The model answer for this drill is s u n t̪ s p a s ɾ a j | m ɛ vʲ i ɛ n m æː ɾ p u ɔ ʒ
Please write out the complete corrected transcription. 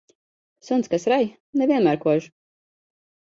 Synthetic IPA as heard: s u n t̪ s k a s ɾ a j | n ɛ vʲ i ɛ n m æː ɾ k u ɔ ʒ